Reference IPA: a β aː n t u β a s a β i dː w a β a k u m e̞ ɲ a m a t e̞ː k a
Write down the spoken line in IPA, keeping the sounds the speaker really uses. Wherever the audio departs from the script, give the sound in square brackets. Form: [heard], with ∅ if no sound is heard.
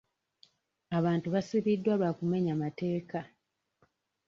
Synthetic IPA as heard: a β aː n t u β a s [i] β i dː w a β a k u m e̞ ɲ a m a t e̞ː k a